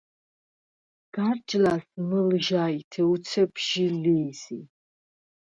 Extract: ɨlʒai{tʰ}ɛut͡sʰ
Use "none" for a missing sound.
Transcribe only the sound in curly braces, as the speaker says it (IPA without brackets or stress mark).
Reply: tʰ